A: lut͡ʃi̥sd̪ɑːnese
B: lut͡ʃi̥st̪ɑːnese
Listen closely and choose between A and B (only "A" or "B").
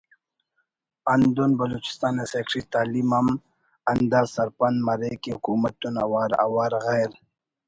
B